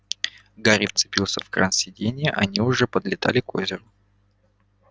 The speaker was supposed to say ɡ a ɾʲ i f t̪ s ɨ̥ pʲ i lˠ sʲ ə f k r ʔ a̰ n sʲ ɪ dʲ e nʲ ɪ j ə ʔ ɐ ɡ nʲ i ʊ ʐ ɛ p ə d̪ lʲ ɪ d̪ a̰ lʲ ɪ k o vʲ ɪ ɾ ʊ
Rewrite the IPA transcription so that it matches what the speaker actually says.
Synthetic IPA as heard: ɡ a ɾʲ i f t̪ s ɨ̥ pʲ i lˠ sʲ ə f k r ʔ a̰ n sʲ ɪ dʲ e nʲ ɪ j ə ʔ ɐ nʲ i ʊ ʐ ɛ p ə d̪ lʲ ɪ t̪ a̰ lʲ ɪ k o zʲ ɪ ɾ ʊ